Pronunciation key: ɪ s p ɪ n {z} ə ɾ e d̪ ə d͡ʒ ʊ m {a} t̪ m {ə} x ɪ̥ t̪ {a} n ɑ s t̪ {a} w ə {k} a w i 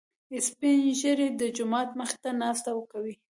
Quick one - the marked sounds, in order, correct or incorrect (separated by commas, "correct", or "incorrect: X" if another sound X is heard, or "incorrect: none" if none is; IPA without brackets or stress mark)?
incorrect: ʒ, incorrect: ɑ, correct, correct, correct, correct